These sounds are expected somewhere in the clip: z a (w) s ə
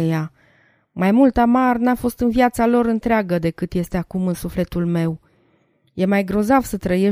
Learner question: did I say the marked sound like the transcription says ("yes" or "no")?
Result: no